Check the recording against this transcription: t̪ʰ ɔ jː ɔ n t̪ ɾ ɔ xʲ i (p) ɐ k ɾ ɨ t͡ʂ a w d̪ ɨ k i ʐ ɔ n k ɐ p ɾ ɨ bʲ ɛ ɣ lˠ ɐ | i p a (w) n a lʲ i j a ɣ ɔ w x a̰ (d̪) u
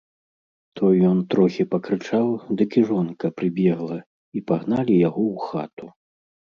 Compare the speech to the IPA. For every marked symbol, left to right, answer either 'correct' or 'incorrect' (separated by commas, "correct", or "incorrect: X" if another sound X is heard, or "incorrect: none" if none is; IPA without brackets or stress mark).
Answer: correct, incorrect: ɣ, incorrect: t̪